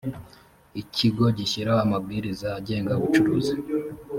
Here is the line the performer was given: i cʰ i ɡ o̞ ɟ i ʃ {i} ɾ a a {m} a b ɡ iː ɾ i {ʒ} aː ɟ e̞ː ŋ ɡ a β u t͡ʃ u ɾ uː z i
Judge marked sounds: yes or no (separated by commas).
yes, yes, no